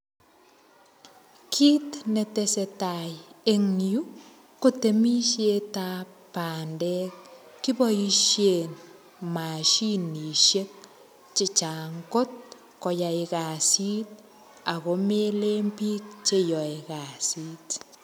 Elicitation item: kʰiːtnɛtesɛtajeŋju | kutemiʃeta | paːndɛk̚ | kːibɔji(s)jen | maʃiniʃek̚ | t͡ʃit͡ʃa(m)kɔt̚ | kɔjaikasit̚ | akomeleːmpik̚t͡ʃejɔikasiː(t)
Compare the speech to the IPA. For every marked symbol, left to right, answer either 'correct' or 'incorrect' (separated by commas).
incorrect, incorrect, correct